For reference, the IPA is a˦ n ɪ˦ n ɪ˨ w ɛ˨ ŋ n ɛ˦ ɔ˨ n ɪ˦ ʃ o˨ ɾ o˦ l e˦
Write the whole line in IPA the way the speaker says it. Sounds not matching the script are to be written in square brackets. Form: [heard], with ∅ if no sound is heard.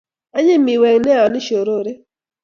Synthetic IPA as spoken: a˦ [ɲ] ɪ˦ [m] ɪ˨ w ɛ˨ ŋ n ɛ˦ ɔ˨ n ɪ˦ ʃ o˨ ɾ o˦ [ɾ] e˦